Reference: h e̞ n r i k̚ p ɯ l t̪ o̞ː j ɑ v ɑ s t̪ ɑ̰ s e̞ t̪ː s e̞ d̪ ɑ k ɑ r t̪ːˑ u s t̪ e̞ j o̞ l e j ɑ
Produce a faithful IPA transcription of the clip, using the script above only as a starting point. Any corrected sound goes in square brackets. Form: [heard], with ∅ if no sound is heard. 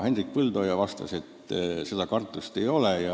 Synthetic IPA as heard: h e̞ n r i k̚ p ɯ l [d̪] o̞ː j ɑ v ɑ s t̪ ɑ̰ s e̞ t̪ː s e̞ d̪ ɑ k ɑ r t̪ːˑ u s t̪ e̞ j o̞ l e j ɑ